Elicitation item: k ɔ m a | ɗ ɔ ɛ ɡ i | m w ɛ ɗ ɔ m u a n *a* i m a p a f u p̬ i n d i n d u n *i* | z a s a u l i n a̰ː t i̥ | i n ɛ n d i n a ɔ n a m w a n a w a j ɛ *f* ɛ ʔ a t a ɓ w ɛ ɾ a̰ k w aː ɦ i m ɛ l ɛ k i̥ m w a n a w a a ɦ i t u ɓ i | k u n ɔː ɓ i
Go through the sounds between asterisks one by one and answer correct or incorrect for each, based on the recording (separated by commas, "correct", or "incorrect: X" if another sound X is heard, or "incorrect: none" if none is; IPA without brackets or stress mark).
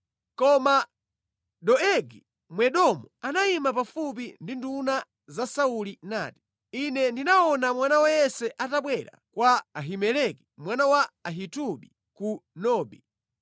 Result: correct, incorrect: a, incorrect: s